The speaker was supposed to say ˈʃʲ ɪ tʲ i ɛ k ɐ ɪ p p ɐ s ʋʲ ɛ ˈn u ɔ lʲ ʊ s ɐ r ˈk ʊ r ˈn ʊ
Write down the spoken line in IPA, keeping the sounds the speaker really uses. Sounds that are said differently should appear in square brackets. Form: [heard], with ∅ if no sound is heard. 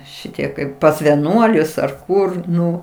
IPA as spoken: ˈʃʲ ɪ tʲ i ɛ k ɐ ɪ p p ɐ s ʋʲ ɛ ˈn u ɔ lʲ ʊ s ɐ r ˈk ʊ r ˈn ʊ